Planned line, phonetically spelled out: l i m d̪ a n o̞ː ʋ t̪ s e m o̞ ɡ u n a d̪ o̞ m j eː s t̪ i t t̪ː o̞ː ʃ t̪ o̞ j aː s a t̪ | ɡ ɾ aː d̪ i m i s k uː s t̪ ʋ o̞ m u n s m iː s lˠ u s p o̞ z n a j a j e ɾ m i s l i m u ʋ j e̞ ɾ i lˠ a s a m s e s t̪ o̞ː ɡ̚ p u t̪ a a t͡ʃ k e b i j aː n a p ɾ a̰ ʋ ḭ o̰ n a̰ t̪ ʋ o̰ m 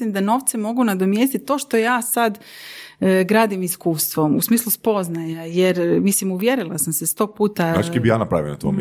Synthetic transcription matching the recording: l i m d̪ a n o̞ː ʋ t̪ s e m o̞ ɡ u n a d̪ o̞ m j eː s t̪ i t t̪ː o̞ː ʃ t̪ o̞ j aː s a d̪ | ɡ ɾ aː d̪ i m i s k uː s t̪ ʋ o̞ m u s m iː s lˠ u s p o̞ z n a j a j e ɾ m i s l i m u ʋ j e̞ ɾ i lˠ a s a m s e s t̪ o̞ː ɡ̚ p uː t̪ a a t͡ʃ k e b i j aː n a p ɾ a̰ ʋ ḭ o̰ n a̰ t̪ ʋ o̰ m